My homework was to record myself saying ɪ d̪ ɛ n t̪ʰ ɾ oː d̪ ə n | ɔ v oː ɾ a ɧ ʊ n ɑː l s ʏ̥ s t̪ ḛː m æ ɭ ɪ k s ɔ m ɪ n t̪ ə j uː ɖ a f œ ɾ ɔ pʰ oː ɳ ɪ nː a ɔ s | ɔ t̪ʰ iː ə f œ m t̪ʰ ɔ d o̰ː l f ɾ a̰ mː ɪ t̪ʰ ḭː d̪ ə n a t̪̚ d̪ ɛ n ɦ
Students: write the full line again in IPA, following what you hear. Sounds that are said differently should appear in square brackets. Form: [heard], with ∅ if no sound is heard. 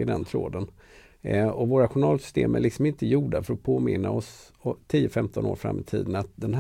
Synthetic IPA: ɪ d̪ ɛ n t̪ʰ ɾ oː d̪ ə n | ɔ v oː ɾ a ɧ ʊ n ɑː l s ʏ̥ s t̪ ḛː m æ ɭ ɪ k s ɔ m ɪ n t̪ ə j uː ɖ a f œ ɾ ɔ pʰ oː [m] ɪ nː a ɔ s | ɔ t̪ʰ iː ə f [ɛ] m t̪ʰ ɔ [n] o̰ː [ɾ] f ɾ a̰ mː ɪ t̪ʰ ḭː d̪ ə n a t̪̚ d̪ ɛ n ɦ